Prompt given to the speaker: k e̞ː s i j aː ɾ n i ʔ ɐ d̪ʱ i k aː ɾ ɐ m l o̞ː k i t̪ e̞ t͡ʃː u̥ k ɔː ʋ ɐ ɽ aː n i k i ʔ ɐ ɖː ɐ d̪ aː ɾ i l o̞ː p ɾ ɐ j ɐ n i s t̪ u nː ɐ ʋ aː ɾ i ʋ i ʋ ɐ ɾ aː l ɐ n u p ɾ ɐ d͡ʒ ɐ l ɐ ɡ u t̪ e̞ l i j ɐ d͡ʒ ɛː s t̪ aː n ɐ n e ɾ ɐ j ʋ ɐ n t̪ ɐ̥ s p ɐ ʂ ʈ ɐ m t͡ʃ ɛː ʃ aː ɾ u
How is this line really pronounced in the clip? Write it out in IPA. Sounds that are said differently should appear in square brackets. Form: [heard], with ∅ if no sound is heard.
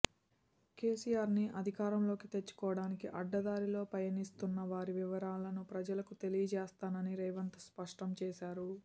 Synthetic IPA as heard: k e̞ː s i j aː ɾ n i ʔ ɐ d̪ʱ i k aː ɾ ɐ m l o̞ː k i t̪ e̞ t͡ʃː u̥ k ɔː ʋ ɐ ɽ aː n i k i ʔ ɐ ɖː ɐ d̪ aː ɾ i l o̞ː p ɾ ɐ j ɐ n i s t̪ u nː ɐ ʋ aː ɾ i ʋ i ʋ ɐ ɾ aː l ɐ n u p ɾ ɐ d͡ʒ ɐ l ɐ [k] u t̪ e̞ l i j ɐ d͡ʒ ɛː s t̪ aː n ɐ n [i] ɾ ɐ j ʋ ɐ n t̪ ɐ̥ s p ɐ ʂ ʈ ɐ m t͡ʃ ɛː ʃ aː ɾ u